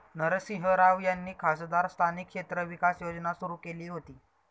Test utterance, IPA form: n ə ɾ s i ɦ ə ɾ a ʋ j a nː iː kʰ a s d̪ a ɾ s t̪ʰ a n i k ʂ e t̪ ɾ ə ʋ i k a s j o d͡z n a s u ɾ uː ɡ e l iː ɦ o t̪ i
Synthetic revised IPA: n ə ɾ s i ɦ ə ɾ a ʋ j a nː iː kʰ a s d̪ a ɾ s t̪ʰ a n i k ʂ e t̪ ɾ ə ʋ i k a s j o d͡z n a s u ɾ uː k e l iː ɦ o t̪ iː